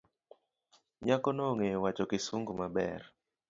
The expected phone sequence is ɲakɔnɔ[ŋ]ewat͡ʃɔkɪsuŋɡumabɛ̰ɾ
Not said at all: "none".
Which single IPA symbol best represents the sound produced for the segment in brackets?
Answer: ŋ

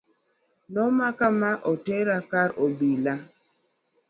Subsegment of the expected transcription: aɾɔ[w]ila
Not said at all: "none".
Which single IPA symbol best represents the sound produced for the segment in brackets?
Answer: b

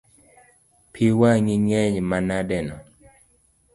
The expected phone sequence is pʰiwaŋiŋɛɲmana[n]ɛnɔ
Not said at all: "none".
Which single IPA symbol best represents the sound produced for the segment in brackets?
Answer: d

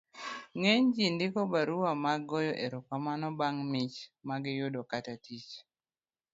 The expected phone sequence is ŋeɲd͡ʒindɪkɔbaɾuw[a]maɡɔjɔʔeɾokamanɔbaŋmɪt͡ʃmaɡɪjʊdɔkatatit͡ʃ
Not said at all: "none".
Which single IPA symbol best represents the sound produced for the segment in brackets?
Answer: a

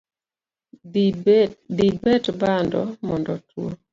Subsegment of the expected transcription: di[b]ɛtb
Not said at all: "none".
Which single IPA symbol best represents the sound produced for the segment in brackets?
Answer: b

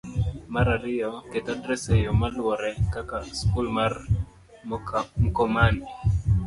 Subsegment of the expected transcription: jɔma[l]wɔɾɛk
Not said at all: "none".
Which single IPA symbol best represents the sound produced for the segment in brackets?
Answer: l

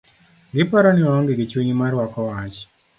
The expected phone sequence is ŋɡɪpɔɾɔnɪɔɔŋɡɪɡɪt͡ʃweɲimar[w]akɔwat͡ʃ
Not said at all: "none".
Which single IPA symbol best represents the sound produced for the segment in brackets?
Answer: w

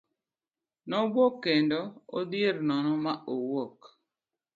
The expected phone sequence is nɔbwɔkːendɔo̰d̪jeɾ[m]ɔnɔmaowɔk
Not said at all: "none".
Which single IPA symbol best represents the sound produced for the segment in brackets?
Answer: n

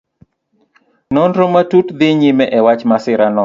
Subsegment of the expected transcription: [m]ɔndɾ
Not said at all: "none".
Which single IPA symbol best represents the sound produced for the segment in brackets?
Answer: n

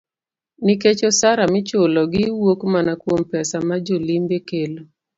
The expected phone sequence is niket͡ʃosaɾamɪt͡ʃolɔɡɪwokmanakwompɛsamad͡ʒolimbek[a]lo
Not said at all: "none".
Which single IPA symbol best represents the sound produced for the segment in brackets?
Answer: e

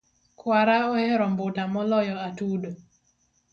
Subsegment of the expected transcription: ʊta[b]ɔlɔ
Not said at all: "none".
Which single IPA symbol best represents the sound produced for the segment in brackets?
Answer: m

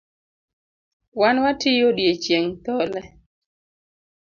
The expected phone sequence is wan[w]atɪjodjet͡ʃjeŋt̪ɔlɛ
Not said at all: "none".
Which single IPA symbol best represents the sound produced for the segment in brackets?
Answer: w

